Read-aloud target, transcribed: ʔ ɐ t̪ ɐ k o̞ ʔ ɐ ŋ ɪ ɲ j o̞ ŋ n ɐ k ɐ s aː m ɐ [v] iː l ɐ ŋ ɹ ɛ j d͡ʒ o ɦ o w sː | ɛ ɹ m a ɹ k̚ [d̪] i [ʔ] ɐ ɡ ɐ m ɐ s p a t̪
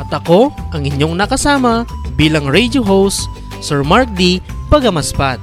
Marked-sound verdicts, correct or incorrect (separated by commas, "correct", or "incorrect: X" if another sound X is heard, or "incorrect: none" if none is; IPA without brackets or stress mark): incorrect: b, correct, incorrect: p